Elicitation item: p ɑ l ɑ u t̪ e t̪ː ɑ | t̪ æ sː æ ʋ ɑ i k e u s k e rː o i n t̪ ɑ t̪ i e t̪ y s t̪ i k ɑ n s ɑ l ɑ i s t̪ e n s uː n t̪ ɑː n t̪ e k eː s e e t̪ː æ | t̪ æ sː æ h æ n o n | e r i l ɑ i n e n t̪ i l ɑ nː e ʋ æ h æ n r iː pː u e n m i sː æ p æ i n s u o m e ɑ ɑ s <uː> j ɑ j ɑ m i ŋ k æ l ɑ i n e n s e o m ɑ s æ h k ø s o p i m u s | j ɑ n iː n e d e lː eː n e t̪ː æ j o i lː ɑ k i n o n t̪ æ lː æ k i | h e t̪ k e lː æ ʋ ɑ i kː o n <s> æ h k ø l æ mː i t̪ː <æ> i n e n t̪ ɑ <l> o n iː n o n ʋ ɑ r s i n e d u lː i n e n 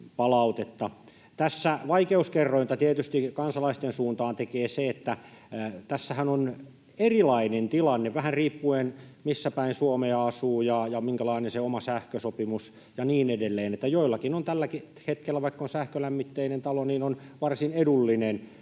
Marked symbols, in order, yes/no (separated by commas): yes, yes, no, yes